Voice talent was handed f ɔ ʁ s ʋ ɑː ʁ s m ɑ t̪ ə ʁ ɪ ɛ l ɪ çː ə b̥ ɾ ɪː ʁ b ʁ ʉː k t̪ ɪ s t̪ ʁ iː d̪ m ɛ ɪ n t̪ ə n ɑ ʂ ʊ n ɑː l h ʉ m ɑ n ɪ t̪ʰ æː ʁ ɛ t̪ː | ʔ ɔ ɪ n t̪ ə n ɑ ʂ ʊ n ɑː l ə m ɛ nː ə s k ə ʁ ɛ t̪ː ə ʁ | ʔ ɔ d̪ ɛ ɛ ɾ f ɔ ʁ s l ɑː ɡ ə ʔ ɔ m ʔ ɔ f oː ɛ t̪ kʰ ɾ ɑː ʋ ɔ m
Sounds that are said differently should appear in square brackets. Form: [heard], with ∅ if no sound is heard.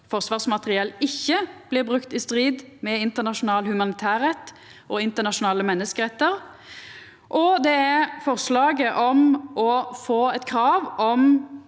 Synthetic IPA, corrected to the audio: f ɔ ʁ s ʋ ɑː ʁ s m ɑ t̪ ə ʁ ɪ ɛ l ɪ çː ə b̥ [l] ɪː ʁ b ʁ [ʉ] k t̪ ɪ s t̪ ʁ iː d̪ m ɛ ɪ n t̪ ə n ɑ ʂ ʊ n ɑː l h ʉ m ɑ n ɪ t̪ʰ æː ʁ ɛ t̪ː | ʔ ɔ ɪ n t̪ ə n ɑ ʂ ʊ n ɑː l ə m ɛ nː ə s k ə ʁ ɛ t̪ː ə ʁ | ʔ ɔ d̪ ɛ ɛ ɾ f ɔ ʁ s l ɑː ɡ ə ʔ ɔ m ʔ ɔ f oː ɛ t̪ kʰ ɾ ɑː ʋ ɔ m

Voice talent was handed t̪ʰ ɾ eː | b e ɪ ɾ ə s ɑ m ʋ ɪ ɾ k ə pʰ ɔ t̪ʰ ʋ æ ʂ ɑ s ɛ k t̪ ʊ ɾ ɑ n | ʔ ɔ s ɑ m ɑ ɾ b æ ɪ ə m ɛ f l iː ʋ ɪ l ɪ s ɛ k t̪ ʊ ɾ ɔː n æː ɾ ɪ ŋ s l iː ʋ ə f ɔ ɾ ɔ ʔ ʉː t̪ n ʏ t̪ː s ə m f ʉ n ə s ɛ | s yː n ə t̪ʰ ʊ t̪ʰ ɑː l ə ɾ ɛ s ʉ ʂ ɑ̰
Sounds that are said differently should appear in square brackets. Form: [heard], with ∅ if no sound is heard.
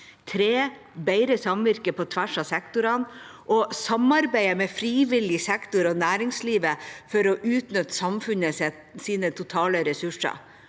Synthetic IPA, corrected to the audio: t̪ʰ ɾ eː | b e ɪ ɾ ə s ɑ m ʋ ɪ ɾ k ə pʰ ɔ t̪ʰ ʋ æ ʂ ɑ s ɛ k t̪ ʊ ɾ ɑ n | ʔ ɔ s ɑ m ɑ ɾ b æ ɪ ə m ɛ f [ɾ] iː ʋ ɪ l ɪ s ɛ k t̪ ʊ ɾ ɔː n æː ɾ ɪ ŋ s l iː ʋ ə f ɔ ɾ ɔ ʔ ʉː t̪ n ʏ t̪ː s [ɑ] m f ʉ n ə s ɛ | s [iː] n ə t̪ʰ ʊ t̪ʰ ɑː l ə ɾ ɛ s ʉ ʂ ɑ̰

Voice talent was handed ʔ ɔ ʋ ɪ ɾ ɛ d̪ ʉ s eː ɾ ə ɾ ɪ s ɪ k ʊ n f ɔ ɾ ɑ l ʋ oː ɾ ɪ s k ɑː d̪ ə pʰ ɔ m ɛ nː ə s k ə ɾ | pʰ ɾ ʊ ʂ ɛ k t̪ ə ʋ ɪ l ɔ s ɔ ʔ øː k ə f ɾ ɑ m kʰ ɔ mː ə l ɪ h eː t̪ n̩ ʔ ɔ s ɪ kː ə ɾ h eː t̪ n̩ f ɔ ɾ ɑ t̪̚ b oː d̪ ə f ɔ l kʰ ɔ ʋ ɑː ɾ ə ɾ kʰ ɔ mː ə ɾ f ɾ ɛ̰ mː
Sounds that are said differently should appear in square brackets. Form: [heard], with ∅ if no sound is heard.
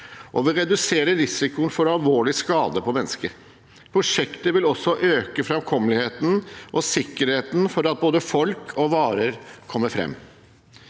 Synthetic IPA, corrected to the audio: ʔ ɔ ʋ ɪ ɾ ɛ d̪ ʉ s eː ɾ ə ɾ ɪ s ɪ k ʊ n f ɔ ɾ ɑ l ʋ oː [ɭ] ɪ s k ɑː d̪ ə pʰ ɔ m ɛ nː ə s k ə ɾ | pʰ ɾ ʊ ʂ ɛ k t̪ ə ʋ ɪ l ɔ s ɔ ʔ øː k ə f ɾ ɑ m kʰ ɔ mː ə l ɪ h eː t̪ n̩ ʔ ɔ s ɪ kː ə ɾ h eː t̪ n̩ f ɔ ɾ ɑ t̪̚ b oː d̪ ə f ɔ l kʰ ɔ ʋ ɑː ɾ ə ɾ kʰ ɔ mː ə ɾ f ɾ ɛ̰ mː

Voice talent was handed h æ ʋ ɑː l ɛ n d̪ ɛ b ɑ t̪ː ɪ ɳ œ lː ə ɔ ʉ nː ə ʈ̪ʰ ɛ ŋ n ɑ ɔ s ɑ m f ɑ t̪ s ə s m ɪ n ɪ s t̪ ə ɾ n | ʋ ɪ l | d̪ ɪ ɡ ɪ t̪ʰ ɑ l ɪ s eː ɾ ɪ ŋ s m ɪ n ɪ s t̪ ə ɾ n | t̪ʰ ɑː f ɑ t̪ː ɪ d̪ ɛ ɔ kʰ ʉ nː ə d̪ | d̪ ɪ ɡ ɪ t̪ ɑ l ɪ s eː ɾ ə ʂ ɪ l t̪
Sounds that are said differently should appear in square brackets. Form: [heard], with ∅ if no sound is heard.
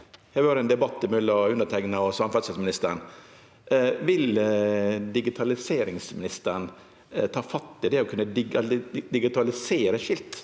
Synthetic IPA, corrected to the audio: h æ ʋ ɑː [ɾ] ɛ n d̪ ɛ b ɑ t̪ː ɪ [m] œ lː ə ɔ ʉ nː ə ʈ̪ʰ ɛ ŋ n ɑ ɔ s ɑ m f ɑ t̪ s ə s m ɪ n ɪ s t̪ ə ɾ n | ʋ ɪ l | d̪ ɪ ɡ ɪ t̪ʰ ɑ l ɪ s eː ɾ ɪ ŋ s m ɪ n ɪ s t̪ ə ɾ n | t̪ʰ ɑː f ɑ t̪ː ɪ d̪ ɛ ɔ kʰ ʉ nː ə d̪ | d̪ ɪ ɡ ɪ t̪ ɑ l ɪ s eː ɾ ə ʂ ɪ l t̪

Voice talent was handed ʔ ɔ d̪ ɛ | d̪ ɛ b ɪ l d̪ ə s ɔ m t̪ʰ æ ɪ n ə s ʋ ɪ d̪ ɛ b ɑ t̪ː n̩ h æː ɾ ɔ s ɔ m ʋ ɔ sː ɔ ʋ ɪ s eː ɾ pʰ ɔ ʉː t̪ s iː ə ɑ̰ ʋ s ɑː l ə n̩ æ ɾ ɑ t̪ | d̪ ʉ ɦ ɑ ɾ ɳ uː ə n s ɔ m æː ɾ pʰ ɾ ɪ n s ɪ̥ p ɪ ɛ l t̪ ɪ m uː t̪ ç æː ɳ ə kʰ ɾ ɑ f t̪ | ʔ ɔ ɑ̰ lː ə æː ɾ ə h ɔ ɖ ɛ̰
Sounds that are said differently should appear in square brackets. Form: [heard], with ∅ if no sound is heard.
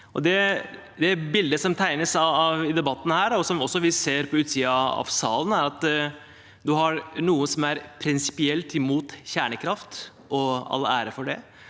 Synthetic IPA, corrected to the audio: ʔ ɔ d̪ ɛ | d̪ ɛ b ɪ l d̪ ə s ɔ m t̪ʰ æ ɪ n ə s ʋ ɪ d̪ ɛ b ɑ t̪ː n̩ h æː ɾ ɔ s ɔ m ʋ ɔ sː ɔ ʋ ɪ s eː ɾ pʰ ɔ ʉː t̪ s iː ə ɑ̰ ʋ s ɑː l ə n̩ æ ɾ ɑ t̪ | d̪ ʉ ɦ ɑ ɾ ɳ uː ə n s ɔ m [æ] ɾ pʰ ɾ ɪ n s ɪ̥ p ɪ ɛ l t̪ ɪ m uː t̪ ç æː ɳ ə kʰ ɾ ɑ f t̪ | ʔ ɔ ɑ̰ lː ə æː ɾ ə [f] ɔ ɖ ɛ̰

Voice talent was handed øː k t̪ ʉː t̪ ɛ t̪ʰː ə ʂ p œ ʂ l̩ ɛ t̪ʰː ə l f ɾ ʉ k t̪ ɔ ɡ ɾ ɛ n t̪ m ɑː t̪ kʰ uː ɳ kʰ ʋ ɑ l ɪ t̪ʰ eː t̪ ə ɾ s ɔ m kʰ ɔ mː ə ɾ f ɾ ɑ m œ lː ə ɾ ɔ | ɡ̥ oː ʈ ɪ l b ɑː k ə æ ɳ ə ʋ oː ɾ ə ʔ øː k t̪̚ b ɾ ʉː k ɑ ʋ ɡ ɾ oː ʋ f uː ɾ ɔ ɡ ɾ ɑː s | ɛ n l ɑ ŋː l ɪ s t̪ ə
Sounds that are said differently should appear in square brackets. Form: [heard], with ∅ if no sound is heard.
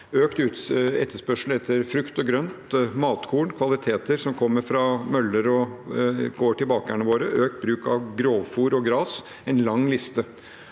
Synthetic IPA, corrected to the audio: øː k t̪ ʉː t̪ ɛ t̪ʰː ə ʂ p œ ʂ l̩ ɛ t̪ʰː ə [ɾ] f ɾ ʉ k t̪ ɔ ɡ ɾ [œ] n t̪ m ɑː t̪ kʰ uː ɳ kʰ ʋ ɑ l ɪ t̪ʰ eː t̪ ə ɾ s ɔ m kʰ ɔ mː ə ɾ f ɾ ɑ m œ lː ə ɾ ɔ | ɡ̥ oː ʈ ɪ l b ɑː k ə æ ɳ ə ʋ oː ɾ ə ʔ øː k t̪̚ b ɾ ʉː k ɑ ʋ ɡ ɾ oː ʋ f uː ɾ ɔ ɡ ɾ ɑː s | ɛ n l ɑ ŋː l ɪ s t̪ ə

